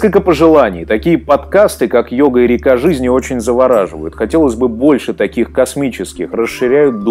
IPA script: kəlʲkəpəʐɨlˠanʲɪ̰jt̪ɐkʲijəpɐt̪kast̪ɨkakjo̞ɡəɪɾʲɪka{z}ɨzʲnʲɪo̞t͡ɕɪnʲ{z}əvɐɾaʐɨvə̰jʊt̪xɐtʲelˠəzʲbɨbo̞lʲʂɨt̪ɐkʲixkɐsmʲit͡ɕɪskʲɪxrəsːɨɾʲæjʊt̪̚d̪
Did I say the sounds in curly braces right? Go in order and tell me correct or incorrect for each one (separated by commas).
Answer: incorrect, correct